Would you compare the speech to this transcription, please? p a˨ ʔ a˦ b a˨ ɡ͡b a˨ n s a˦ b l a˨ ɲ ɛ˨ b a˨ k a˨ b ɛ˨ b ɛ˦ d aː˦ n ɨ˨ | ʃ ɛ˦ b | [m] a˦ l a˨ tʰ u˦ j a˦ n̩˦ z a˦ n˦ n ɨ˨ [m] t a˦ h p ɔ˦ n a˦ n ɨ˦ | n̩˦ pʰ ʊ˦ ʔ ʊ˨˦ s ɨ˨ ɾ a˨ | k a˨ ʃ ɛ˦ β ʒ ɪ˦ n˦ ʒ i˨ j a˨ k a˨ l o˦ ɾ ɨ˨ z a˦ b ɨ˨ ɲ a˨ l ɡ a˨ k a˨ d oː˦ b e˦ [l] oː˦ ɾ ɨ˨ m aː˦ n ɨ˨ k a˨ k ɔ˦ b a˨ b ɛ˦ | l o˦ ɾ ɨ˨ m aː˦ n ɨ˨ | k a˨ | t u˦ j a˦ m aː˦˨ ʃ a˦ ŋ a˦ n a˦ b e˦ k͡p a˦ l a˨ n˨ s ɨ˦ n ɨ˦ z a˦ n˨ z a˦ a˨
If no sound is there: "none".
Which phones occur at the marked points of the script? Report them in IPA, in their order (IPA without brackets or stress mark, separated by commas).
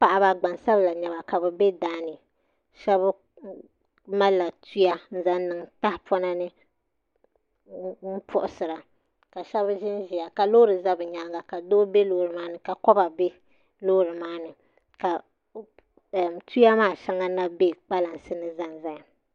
m, ŋ, l